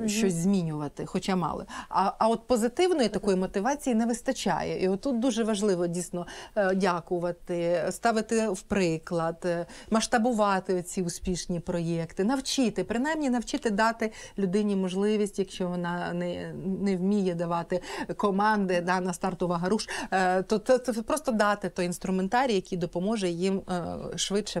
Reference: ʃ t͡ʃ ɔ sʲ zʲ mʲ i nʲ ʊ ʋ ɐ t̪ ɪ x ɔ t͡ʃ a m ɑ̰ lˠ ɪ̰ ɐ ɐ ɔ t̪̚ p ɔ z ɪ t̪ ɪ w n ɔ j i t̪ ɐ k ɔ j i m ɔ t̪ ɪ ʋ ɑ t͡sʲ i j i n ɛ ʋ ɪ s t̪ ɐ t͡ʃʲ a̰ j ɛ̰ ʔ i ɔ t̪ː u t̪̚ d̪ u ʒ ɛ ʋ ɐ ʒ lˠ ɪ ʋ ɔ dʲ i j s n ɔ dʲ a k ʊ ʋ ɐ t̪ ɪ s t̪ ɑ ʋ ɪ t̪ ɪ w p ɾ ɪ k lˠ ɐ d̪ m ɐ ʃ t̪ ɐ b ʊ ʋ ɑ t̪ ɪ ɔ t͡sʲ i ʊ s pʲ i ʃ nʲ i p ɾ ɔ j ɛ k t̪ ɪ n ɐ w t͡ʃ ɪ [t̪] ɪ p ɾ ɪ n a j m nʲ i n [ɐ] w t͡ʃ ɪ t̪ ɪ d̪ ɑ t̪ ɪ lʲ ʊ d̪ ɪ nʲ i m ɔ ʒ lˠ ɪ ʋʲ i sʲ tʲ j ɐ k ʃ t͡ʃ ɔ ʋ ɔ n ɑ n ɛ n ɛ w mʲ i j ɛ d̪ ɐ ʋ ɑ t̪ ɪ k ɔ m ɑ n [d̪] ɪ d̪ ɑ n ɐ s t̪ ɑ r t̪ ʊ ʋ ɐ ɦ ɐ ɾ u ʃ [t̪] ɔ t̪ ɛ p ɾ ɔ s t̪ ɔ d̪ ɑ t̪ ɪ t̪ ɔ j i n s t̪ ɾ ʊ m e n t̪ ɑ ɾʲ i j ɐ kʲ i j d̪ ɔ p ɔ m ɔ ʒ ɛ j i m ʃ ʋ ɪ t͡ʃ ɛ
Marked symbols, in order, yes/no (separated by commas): yes, yes, yes, yes